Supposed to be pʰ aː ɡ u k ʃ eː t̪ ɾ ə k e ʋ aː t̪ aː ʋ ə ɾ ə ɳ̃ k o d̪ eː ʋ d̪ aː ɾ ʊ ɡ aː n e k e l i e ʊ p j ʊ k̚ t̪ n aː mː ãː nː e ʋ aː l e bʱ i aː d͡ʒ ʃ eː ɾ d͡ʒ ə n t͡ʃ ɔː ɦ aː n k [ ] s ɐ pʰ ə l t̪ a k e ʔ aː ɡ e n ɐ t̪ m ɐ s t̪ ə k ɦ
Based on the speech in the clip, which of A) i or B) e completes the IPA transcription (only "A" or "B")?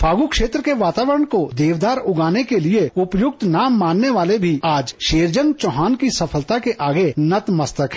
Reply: A